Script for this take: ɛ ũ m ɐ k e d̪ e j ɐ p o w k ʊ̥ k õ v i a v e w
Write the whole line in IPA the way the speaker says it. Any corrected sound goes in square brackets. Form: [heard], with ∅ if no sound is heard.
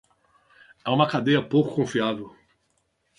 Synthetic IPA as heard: ɛ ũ m ɐ k [a] d̪ e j ɐ p o w k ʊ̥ k õ [f] i a v e w

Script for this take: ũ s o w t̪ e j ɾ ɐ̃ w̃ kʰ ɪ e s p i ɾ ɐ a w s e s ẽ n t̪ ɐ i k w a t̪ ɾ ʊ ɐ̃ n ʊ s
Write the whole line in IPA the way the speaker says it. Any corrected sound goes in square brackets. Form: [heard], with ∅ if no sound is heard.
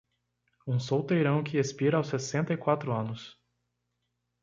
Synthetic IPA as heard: ũ s o w t̪ e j ɾ ɐ̃ w̃ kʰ ɪ e s p i ɾ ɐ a w s e s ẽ n t̪ ɐ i k w a t̪ ɾ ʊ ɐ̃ n ʊ s

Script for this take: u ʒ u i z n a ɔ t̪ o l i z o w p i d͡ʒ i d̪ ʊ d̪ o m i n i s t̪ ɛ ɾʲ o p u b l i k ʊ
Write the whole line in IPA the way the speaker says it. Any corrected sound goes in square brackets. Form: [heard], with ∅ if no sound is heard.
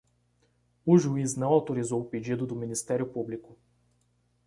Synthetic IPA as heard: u ʒ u i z n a ɔ t̪ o [ɾ] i z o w p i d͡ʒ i d̪ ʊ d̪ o m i n i s t̪ ɛ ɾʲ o p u b l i k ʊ

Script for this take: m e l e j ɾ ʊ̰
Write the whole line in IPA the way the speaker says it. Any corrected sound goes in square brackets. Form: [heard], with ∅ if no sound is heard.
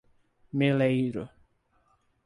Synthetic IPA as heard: m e l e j ɾ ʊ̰

